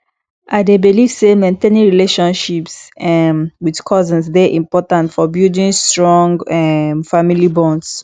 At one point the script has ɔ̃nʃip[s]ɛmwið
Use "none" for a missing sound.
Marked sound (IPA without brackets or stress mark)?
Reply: s